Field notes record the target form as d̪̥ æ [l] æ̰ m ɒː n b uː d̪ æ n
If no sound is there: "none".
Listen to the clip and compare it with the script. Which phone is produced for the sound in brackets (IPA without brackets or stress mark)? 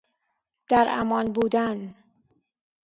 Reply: ɾ